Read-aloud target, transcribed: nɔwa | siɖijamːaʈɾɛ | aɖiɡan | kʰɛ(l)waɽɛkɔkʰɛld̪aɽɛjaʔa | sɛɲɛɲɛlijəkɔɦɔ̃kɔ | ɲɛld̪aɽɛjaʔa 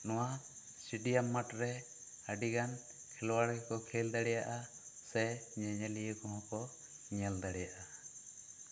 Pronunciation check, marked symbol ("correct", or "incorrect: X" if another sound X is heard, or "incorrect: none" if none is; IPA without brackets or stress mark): correct